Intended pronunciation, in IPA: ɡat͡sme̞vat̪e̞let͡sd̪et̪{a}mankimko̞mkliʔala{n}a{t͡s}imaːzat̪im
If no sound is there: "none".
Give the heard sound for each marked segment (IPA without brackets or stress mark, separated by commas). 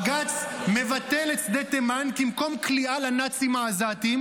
e, n, t͡s